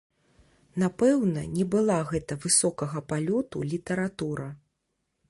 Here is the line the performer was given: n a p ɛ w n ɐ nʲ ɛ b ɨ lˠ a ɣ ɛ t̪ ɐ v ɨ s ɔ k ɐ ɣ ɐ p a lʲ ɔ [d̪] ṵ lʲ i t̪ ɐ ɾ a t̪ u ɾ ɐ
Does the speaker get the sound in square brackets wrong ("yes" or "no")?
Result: yes